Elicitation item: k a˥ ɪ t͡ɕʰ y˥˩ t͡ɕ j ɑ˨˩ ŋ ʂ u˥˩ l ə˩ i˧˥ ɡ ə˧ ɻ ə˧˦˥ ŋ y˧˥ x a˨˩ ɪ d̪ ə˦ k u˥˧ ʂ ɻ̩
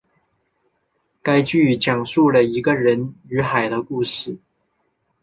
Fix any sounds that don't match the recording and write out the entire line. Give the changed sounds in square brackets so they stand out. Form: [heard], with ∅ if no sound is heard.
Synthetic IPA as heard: k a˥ ɪ [t͡ɕ] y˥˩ t͡ɕ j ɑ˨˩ ŋ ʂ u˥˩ l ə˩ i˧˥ ɡ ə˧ ɻ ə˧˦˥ [n] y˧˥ x a˨˩ ɪ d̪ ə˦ k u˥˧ ʂ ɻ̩